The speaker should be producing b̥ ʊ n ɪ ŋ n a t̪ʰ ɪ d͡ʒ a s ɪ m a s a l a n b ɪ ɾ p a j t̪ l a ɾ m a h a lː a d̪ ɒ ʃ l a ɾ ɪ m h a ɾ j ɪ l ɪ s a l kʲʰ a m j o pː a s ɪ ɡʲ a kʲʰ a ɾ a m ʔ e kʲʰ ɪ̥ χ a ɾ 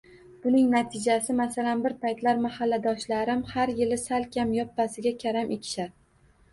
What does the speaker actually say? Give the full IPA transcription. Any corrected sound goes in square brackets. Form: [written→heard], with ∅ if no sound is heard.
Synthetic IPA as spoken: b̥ ʊ n ɪ ŋ n a t̪ʰ ɪ d͡ʒ a s ɪ m a s a l a n b ɪ ɾ p a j t̪ l a ɾ m a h a lː a d̪ ɒ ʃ l a ɾ ɪ m h a ɾ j ɪ l ɪ s a l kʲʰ a m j [o→ɒ] pː a s ɪ ɡʲ a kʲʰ a ɾ a m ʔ e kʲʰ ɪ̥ [χ→ʃ] a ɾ